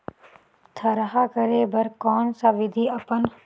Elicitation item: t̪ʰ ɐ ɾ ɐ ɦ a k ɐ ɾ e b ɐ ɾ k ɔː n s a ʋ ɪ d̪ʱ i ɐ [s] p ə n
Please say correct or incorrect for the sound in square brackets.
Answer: incorrect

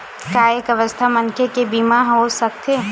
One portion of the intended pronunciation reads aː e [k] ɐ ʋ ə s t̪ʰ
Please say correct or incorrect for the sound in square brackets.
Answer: correct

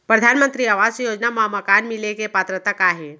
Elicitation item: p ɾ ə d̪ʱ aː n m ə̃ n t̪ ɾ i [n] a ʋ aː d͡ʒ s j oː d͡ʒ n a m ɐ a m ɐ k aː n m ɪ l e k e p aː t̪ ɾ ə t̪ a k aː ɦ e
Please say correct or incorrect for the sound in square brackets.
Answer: incorrect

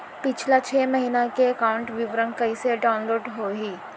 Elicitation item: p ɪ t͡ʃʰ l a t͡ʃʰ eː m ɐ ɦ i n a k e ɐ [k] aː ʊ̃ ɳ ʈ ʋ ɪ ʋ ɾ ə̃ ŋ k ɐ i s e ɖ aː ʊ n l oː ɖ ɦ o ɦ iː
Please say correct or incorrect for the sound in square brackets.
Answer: correct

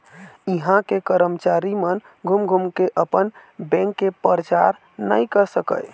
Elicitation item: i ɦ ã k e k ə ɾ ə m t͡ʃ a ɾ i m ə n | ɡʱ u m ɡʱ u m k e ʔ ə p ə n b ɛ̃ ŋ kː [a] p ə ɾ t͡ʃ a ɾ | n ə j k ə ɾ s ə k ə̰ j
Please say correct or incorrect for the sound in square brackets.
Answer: incorrect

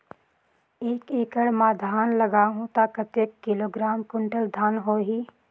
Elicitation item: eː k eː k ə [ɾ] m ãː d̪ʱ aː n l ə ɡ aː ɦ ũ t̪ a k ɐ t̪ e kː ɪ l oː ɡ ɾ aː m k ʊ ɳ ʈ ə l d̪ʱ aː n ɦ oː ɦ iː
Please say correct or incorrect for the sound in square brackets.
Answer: incorrect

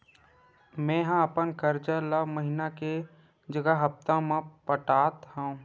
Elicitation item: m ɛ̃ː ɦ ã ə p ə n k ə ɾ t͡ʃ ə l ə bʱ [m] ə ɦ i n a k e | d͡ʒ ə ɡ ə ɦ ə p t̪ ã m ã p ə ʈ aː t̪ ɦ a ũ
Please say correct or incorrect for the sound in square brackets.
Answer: correct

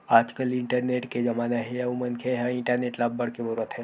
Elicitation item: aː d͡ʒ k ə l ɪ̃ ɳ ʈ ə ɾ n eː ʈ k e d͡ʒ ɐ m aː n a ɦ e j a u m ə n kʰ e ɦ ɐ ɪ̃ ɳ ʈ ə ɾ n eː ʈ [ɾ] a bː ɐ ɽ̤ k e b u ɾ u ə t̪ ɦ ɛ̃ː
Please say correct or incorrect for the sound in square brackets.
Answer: incorrect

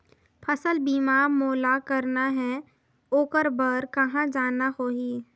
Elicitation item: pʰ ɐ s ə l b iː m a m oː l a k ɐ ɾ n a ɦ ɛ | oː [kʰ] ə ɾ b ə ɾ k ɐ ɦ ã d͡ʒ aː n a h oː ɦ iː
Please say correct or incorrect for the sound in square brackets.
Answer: incorrect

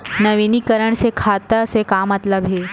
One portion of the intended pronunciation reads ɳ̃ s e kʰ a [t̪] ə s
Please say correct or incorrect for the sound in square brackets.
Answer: correct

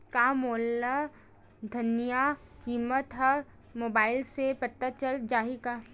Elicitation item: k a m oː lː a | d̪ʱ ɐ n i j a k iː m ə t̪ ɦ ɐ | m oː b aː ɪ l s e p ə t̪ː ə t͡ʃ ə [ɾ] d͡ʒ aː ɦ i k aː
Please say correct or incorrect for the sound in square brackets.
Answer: incorrect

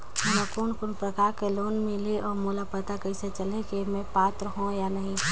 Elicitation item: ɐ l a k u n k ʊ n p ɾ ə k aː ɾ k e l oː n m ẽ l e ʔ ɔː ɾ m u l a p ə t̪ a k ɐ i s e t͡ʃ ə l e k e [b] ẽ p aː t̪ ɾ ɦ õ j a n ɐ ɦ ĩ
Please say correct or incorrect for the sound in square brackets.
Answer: incorrect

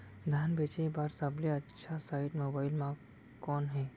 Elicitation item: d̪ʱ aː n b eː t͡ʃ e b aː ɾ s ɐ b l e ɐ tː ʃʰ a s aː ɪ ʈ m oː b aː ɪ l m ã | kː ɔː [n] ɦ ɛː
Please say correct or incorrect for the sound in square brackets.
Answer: correct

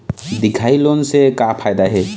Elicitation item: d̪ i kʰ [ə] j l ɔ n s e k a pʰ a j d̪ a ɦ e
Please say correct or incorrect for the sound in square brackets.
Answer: incorrect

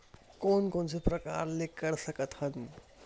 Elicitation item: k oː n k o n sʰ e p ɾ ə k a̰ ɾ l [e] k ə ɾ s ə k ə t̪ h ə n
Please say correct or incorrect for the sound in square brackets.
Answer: correct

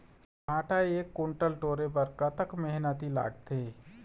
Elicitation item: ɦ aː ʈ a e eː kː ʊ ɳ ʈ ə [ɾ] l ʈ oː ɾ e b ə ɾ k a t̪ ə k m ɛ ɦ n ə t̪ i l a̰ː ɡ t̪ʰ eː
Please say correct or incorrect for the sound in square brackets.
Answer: incorrect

